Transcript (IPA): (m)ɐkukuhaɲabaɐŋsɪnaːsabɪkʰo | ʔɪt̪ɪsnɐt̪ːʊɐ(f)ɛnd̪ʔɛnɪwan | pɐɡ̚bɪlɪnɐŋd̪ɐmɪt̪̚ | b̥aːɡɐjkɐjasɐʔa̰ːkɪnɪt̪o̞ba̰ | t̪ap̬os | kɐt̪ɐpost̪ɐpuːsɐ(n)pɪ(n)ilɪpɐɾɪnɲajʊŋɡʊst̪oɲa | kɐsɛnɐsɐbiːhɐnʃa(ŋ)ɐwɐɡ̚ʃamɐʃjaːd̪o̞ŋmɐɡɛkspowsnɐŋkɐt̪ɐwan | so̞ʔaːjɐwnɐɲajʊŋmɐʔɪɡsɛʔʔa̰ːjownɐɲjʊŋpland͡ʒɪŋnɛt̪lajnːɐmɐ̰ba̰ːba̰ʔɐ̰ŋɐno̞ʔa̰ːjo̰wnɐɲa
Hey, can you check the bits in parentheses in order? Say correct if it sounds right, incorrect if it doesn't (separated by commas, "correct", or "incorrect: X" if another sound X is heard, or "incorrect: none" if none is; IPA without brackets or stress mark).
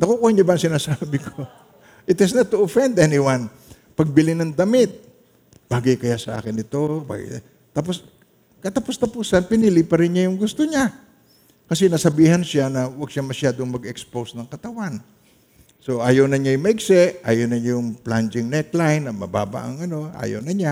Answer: incorrect: n, correct, correct, correct, incorrect: n